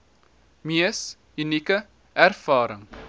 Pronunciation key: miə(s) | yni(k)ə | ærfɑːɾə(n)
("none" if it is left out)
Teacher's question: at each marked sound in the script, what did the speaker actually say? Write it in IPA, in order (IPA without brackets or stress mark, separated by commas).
s, k, ŋ